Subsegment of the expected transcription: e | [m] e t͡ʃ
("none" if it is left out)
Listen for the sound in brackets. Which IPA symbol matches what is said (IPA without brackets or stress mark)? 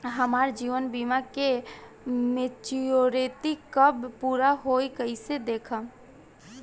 m